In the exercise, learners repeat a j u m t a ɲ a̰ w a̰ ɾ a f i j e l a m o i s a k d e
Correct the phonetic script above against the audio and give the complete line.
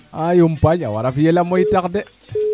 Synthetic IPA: a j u m p a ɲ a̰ w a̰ ɾ a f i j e l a m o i t a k d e